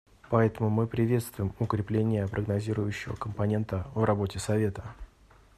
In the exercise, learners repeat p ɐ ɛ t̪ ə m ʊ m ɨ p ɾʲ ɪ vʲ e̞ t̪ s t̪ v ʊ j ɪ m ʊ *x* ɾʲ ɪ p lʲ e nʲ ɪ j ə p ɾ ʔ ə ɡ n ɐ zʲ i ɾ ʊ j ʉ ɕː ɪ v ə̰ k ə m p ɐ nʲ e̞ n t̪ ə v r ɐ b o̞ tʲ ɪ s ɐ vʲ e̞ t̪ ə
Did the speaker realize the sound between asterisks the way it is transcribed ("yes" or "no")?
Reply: no